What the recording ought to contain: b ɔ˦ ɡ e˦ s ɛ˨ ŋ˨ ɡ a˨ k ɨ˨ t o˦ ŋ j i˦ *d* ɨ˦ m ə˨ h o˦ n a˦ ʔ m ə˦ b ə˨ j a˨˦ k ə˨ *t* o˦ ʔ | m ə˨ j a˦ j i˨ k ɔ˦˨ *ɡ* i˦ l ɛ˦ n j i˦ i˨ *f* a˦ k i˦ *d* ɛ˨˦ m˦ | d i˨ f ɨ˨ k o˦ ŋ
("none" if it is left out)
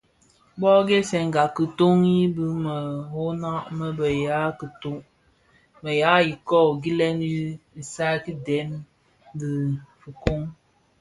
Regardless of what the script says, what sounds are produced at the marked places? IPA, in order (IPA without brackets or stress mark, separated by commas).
b, t, ɡ, s, d